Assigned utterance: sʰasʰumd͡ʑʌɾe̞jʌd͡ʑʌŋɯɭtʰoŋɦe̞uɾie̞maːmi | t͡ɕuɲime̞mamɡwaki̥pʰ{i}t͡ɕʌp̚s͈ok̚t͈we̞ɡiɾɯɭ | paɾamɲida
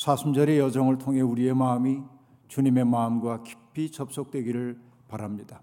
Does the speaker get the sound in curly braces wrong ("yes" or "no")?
no